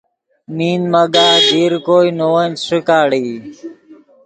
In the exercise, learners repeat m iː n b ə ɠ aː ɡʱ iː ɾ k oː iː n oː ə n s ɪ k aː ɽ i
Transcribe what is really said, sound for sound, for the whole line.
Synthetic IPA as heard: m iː n m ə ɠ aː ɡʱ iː ɾ k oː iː n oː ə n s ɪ k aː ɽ iː